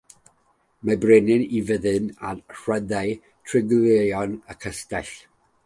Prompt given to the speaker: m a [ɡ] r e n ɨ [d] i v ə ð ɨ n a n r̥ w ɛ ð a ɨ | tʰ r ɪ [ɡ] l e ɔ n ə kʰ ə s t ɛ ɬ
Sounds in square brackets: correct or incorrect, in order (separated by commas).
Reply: incorrect, incorrect, correct